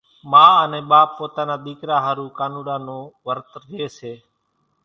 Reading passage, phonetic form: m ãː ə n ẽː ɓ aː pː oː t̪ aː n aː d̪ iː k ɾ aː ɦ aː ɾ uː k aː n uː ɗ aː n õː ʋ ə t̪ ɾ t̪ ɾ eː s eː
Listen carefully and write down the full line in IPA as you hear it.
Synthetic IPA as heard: m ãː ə n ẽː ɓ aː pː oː t̪ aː n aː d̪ iː k ɾ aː ɦ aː ɾ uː k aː n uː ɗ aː n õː ʋ ə ɾ t̪ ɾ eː s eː